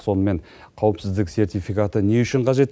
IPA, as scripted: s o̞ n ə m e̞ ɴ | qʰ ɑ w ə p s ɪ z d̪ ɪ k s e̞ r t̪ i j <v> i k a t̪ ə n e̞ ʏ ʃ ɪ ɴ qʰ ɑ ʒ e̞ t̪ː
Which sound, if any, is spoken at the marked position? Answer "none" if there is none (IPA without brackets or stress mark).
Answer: f